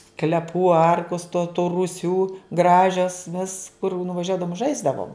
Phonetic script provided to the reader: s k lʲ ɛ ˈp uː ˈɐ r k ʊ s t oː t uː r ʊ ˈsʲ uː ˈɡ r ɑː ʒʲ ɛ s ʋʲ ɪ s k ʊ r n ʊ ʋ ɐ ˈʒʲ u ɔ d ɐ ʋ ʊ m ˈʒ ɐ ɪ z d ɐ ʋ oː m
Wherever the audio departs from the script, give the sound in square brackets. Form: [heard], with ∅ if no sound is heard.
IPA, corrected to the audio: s k lʲ ɛ ˈp uː ˈɐ r k ʊ s t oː t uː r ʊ ˈsʲ uː ˈɡ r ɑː ʒʲ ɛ s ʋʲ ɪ s k ʊ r n ʊ ʋ ɐ ˈʒʲ u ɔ d ɐ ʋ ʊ m ˈʒ ɐ ɪ z d ɐ ʋ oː m